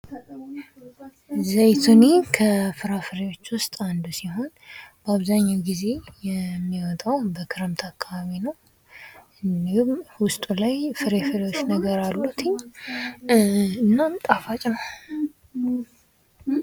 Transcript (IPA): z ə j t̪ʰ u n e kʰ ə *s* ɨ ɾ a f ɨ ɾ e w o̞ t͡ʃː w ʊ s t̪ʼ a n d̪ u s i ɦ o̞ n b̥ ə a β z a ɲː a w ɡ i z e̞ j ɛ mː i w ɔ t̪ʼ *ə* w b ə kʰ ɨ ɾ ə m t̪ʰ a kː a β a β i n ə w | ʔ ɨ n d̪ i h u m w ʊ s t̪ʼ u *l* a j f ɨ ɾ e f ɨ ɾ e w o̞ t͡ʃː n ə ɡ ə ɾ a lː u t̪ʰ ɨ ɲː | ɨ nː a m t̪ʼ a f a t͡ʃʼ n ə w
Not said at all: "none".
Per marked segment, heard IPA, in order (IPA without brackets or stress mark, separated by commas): f, a, l